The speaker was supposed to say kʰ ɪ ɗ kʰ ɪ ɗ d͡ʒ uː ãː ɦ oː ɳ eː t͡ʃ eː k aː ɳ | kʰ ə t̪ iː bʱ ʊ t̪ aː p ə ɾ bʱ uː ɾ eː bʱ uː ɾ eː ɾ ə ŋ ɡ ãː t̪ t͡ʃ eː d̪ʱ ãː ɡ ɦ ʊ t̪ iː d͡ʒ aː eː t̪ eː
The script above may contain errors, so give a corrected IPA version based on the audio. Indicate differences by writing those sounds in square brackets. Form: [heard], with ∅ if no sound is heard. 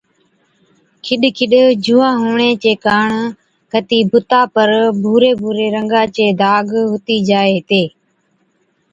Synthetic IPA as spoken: kʰ ɪ ɗ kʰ ɪ ɗ d͡ʒ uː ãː ɦ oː ɳ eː t͡ʃ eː k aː ɳ | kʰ ə t̪ iː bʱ ʊ t̪ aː p ə ɾ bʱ uː ɾ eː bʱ uː ɾ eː ɾ ə ŋ ɡ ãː [∅] t͡ʃ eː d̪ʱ [aː] ɡ ɦ ʊ t̪ iː d͡ʒ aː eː t̪ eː